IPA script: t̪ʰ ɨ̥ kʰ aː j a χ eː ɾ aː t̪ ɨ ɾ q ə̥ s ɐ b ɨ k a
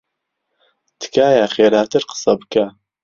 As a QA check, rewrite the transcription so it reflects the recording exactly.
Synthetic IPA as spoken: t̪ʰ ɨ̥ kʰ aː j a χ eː ɾ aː t̪ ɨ ɾ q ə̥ s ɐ b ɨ k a